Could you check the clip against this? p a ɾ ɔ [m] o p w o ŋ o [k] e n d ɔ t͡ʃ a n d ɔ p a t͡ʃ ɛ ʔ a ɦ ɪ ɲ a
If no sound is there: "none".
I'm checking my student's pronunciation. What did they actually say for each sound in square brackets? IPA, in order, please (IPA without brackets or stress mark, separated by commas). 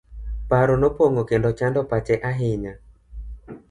n, k